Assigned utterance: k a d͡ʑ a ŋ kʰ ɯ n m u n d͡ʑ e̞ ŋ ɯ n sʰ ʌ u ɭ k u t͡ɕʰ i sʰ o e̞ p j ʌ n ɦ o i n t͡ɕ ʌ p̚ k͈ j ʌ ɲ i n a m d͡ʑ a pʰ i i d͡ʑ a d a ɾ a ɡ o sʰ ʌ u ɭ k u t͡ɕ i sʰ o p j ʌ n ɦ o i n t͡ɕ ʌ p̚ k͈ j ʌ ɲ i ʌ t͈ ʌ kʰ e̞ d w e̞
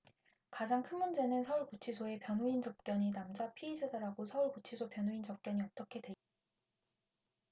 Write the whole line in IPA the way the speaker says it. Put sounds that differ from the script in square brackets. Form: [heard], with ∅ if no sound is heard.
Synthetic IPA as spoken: k a d͡ʑ a ŋ kʰ ɯ n m u n d͡ʑ e̞ [n] ɯ n sʰ ʌ u ɭ k u t͡ɕʰ i sʰ o e̞ p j ʌ n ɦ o i n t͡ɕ ʌ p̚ k͈ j ʌ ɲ i n a m d͡ʑ a pʰ i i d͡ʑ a d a ɾ a ɡ o sʰ ʌ u ɭ k u [t͡ɕʰ] i sʰ o p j ʌ n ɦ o i n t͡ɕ ʌ p̚ k͈ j ʌ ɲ i ʌ t͈ ʌ kʰ e̞ d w e̞